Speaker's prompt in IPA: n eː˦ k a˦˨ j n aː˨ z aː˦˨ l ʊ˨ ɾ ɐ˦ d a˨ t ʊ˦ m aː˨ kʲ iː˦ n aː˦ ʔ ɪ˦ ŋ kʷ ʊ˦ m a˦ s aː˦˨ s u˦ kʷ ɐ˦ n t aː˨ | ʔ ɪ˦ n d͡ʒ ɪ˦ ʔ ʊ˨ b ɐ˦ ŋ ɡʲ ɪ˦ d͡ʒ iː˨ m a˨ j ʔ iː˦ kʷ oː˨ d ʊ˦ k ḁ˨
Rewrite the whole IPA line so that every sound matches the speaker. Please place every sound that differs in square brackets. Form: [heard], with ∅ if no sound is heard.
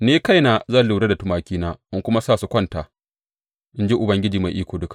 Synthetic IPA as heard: n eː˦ k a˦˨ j n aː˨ z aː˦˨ l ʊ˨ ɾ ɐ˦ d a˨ t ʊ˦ m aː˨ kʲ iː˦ n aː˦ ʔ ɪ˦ ŋ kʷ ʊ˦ m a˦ s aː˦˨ s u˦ kʷ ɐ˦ n t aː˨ | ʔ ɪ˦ n d͡ʒ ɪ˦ ʔ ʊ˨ b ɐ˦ ŋ ɡʲ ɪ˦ d͡ʒ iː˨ m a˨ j ʔ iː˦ kʷ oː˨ d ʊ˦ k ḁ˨